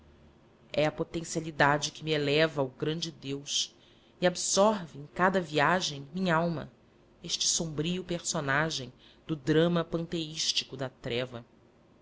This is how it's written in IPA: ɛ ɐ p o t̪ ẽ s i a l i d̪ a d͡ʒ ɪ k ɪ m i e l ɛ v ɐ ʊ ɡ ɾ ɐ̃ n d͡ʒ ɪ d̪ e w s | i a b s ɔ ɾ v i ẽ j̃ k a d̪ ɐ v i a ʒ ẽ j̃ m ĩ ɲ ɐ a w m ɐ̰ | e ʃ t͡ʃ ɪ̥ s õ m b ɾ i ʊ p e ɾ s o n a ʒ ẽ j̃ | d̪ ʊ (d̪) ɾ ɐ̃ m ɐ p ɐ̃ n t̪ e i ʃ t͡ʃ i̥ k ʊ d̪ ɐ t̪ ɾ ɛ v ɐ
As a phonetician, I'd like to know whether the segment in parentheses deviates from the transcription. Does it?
no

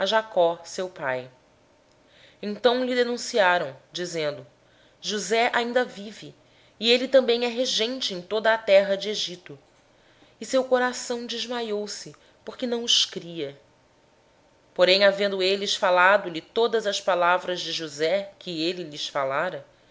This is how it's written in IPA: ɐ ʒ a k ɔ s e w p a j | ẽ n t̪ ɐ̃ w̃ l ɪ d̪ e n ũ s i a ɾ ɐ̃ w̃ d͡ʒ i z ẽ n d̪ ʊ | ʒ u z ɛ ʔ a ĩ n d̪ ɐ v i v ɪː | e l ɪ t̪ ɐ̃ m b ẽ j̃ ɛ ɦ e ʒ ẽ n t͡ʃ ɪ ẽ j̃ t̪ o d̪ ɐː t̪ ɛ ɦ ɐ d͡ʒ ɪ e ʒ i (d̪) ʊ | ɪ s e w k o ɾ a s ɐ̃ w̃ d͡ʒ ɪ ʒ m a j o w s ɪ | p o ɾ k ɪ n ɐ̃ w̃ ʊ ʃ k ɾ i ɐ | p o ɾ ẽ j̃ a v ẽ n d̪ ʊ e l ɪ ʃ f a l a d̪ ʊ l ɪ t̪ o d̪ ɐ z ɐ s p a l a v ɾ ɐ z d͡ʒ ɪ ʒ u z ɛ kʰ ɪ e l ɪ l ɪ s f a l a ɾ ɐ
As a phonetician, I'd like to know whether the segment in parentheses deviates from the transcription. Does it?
yes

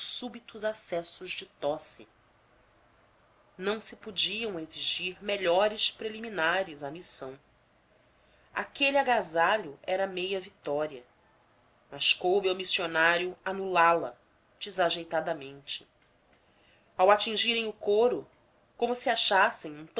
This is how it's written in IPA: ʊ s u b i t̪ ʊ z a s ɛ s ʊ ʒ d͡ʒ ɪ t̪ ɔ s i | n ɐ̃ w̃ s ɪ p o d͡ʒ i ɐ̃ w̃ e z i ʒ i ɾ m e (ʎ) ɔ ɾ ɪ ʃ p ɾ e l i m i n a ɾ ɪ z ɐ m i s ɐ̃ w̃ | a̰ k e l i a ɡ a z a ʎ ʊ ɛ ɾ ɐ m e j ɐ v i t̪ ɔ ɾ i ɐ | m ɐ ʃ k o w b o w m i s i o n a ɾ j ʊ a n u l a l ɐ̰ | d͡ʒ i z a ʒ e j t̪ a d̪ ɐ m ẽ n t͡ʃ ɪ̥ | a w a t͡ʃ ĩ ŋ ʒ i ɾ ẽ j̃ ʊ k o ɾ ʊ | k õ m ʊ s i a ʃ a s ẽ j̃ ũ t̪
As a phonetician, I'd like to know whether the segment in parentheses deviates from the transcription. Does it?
no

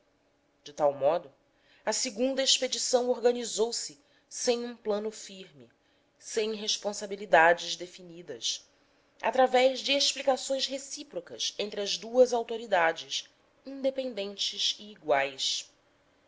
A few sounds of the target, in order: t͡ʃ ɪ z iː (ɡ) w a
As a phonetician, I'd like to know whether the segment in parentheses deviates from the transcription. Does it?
no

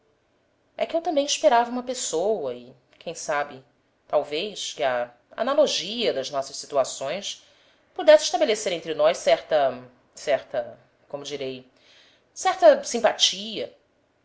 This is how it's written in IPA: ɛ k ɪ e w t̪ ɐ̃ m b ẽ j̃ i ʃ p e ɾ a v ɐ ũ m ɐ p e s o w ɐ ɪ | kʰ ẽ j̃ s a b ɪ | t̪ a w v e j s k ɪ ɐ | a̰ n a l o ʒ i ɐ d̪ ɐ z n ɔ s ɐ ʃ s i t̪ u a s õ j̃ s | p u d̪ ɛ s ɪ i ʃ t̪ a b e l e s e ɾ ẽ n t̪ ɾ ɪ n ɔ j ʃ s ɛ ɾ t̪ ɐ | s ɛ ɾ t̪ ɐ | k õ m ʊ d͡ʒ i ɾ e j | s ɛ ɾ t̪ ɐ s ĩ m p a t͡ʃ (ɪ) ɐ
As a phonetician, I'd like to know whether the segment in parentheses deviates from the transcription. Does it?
yes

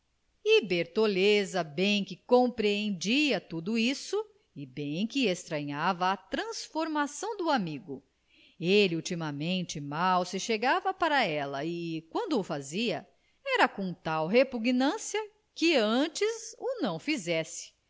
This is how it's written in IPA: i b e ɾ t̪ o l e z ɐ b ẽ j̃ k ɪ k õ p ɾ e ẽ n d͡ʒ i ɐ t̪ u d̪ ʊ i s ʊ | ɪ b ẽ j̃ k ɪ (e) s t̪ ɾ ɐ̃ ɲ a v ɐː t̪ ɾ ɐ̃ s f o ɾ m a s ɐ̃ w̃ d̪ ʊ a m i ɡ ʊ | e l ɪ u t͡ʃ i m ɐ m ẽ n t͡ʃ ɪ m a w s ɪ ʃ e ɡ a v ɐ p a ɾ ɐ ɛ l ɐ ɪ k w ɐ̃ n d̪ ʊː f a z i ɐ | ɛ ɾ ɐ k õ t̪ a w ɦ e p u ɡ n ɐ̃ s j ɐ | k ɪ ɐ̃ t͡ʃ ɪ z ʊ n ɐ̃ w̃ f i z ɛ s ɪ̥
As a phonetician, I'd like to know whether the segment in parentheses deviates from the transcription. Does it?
no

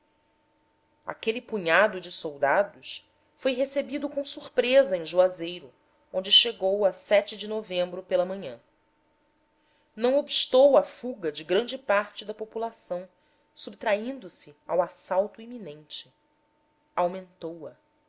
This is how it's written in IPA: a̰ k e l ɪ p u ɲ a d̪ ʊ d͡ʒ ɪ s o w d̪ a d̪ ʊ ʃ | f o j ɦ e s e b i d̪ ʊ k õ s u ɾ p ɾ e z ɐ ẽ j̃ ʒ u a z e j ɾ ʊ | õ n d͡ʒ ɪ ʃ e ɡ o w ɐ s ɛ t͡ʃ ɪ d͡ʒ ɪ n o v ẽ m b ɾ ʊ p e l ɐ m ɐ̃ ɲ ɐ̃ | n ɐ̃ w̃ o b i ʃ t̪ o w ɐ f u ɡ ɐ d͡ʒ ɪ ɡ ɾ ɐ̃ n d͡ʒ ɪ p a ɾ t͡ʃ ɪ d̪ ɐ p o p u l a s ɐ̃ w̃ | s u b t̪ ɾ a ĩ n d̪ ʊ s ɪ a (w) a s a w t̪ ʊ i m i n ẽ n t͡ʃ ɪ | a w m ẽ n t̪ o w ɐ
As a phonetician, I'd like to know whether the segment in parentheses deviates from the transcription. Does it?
no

